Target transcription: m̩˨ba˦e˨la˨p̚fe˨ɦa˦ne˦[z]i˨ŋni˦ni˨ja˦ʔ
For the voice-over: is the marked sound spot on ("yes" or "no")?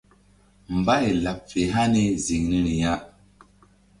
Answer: yes